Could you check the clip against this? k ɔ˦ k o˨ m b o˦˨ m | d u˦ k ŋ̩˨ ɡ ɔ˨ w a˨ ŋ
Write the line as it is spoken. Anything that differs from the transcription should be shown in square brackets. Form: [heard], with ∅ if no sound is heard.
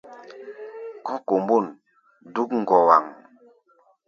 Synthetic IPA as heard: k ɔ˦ k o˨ m b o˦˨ [n] | d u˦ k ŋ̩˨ ɡ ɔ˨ w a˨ ŋ